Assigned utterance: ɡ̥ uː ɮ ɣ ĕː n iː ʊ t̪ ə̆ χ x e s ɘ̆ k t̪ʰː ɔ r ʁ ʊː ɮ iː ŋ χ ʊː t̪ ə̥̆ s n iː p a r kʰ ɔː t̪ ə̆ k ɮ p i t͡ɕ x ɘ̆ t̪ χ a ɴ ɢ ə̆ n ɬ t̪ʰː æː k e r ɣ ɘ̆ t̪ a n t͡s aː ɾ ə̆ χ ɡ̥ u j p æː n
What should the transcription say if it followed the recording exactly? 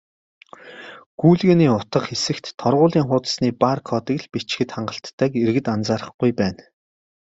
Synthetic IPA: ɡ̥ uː ɮ ɣ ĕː n iː ʊ t̪ ə̆ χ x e s ɘ̆ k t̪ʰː ɔ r ʁ ʊː ɮ iː ŋ χ ʊː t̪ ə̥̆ s n iː p a r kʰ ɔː t̪ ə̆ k ɮ p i t͡ɕ x ɘ̆ t̪ χ a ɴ ɢ ə̆ ɬ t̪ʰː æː k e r ɣ ɘ̆ t̪ a n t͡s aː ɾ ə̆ χ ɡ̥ u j p æː n